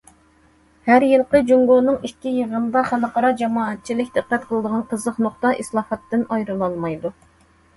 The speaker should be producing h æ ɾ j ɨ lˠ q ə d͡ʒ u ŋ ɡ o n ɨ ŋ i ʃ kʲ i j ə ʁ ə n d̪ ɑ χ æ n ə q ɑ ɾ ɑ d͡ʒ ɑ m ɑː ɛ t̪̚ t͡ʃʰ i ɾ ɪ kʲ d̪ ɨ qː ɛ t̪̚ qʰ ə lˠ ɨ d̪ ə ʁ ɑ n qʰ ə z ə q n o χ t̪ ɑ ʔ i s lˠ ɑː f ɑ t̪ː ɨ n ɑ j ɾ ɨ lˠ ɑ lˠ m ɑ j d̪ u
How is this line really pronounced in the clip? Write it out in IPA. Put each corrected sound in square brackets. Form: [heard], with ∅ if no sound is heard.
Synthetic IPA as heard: h æ ɾ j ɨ lˠ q ə d͡ʒ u ŋ ɡ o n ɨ ŋ i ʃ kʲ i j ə ʁ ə n d̪ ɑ χ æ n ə q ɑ ɾ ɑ d͡ʒ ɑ m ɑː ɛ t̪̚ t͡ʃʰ i [l] ɪ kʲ d̪ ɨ qː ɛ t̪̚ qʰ ə lˠ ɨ d̪ ə ʁ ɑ n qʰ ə z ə q n o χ t̪ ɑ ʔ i s lˠ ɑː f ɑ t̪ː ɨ n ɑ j ɾ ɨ lˠ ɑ lˠ m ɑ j d̪ u